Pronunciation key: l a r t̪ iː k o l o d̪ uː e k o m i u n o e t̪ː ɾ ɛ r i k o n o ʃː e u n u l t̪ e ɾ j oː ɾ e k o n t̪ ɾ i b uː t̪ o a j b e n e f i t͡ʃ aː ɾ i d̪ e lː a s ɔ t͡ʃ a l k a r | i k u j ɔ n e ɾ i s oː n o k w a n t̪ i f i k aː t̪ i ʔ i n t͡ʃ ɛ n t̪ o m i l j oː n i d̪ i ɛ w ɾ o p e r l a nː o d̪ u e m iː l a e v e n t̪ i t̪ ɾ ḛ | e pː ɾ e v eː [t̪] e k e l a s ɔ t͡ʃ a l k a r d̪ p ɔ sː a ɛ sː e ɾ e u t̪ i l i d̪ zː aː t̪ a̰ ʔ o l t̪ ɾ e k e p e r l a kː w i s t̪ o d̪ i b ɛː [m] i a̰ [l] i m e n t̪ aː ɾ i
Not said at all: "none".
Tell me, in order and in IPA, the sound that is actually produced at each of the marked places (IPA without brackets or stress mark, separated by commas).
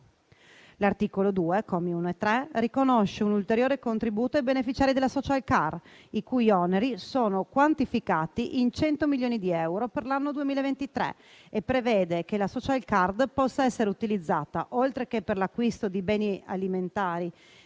d̪, n, l